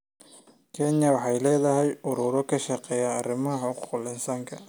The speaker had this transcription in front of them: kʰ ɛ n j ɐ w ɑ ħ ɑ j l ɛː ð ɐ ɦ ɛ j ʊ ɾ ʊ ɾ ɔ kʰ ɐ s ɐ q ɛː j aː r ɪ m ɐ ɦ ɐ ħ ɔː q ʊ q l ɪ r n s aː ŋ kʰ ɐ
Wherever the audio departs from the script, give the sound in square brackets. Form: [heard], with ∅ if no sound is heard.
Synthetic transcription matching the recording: kʰ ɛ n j ɐ w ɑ ħ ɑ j l ɛː ð ɐ ɦ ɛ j ʊ ɾ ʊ ɾ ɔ kʰ ɐ [ʃ] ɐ q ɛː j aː r ɪ m ɐ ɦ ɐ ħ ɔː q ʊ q l ɪ [∅] n s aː ŋ kʰ ɐ